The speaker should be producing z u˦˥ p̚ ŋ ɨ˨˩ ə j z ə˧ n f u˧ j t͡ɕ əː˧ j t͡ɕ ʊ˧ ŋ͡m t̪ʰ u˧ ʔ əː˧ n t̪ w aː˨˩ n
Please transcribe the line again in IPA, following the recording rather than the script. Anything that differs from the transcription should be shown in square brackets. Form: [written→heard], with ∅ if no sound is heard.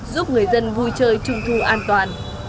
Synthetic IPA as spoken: z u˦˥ p̚ ŋ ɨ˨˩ ə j z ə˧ n [f→v] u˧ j t͡ɕ əː˧ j t͡ɕ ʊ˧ ŋ͡m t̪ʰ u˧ ʔ [əː˧→aː˧] n t̪ w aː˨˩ n